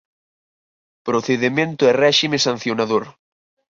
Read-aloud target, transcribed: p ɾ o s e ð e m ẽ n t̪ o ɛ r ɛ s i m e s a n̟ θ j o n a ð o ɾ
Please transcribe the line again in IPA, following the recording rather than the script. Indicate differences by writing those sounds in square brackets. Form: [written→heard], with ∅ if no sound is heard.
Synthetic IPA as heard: p ɾ o [s→θ] e ð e m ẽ n t̪ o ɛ r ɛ [s→ʃ] i m e s a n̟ θ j o n a ð o ɾ